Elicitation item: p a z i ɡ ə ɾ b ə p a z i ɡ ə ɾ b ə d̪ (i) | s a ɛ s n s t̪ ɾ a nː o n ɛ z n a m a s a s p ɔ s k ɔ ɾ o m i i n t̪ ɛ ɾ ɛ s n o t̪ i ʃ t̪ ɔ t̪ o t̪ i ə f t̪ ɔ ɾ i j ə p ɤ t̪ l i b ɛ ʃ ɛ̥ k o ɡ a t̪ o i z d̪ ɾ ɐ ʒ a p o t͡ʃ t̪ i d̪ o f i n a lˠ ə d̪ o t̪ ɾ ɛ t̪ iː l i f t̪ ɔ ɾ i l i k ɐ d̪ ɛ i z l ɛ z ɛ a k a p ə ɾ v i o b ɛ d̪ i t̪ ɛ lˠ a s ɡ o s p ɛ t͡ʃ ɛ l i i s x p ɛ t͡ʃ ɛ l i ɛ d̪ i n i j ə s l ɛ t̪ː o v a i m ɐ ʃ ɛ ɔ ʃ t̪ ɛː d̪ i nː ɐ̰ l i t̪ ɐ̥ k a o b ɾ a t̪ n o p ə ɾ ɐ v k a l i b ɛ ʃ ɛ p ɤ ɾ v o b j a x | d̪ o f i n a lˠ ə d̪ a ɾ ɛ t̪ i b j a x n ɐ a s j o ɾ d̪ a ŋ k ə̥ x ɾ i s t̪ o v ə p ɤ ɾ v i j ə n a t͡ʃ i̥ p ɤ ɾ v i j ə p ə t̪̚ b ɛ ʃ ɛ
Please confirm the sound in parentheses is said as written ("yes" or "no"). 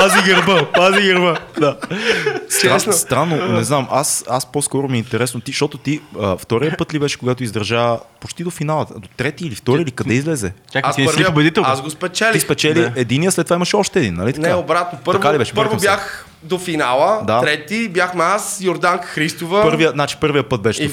no